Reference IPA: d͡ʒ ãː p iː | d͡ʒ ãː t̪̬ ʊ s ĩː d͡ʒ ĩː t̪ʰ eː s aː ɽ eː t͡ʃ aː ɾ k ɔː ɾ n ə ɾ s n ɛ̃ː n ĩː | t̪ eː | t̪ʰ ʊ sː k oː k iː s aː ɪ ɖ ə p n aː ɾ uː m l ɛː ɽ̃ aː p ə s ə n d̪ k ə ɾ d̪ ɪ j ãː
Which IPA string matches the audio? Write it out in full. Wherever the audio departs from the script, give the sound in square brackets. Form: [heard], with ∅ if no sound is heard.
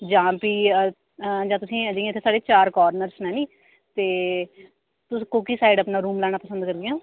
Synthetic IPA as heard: d͡ʒ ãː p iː | d͡ʒ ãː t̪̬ ʊ s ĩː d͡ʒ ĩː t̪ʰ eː s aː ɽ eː t͡ʃ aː ɾ k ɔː ɾ n ə ɾ s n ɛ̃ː n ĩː | t̪ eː | [t̪] ʊ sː k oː k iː s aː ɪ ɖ ə p n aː ɾ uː m l ɛː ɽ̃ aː p ə s ə n d̪ k ə ɾ d̪ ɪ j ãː